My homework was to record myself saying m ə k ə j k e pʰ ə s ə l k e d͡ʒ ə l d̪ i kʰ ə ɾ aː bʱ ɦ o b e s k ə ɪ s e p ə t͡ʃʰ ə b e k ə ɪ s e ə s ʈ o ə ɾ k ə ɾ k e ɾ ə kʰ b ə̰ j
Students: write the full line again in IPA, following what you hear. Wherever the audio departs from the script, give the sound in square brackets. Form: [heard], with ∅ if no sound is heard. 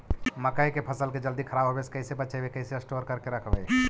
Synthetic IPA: m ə k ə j k e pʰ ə s ə l k e d͡ʒ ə l d̪ i kʰ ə ɾ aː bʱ ɦ o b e s k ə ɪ s e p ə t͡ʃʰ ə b e k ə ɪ s e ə s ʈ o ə ɾ k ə ɾ k e ɾ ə kʰ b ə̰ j